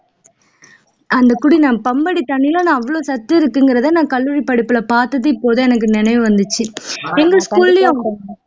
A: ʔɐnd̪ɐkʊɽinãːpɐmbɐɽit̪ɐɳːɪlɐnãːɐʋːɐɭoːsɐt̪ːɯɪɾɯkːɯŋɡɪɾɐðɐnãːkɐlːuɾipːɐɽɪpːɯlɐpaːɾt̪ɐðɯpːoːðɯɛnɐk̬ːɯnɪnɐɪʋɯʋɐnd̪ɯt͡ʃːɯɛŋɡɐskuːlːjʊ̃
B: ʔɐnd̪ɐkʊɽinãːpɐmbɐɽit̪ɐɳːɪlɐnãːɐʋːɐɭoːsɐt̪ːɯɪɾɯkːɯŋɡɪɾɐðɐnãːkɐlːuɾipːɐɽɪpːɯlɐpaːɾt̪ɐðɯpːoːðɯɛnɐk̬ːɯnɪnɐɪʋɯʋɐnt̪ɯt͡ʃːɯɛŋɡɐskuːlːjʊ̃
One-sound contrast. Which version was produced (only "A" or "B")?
A